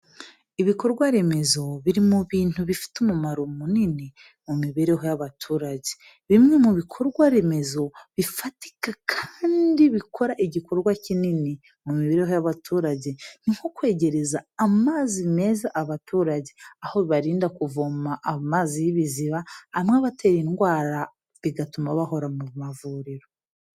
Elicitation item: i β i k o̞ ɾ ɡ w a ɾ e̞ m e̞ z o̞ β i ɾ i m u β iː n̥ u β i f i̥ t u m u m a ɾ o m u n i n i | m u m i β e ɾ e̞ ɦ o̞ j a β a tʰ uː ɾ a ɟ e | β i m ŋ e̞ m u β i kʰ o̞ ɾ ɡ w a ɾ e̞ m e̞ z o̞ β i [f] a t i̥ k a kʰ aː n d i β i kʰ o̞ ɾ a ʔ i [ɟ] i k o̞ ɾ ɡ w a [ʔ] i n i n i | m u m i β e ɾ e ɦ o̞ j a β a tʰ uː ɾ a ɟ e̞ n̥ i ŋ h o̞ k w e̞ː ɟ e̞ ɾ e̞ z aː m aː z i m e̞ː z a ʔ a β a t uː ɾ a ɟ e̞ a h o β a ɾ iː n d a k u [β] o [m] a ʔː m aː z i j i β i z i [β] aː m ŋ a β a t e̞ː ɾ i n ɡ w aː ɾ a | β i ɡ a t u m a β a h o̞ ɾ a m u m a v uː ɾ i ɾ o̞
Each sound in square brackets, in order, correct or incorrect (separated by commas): correct, correct, incorrect, incorrect, correct, correct